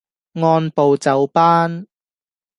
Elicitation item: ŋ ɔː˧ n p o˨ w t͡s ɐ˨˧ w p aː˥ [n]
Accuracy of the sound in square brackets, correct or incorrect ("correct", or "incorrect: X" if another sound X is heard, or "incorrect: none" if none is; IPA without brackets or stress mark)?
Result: correct